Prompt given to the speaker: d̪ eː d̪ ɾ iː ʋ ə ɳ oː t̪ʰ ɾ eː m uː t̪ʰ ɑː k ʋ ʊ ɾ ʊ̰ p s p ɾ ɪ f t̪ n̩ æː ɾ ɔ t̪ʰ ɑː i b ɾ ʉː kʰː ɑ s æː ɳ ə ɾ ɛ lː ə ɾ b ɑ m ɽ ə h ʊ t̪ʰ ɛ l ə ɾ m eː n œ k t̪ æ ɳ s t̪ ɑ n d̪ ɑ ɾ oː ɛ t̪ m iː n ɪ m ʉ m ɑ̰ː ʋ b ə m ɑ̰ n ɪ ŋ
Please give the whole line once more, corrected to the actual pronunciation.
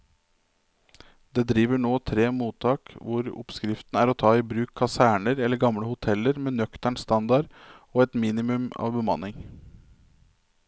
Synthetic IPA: d̪ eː d̪ ɾ iː ʋ ə ɳ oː t̪ʰ ɾ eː m uː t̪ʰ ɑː k ʋ ʊ ɾ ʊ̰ p s k ɾ ɪ f t̪ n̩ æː ɾ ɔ t̪ʰ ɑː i b ɾ ʉː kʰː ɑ s æː ɳ ə ɾ ɛ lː ə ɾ ɡ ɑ m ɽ ə h ʊ t̪ʰ ɛ l ə ɾ m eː n œ k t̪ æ ɳ s t̪ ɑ n d̪ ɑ ɾ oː ɛ t̪ m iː n ɪ m ʉ m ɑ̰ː ʋ b ə m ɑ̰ n ɪ ŋ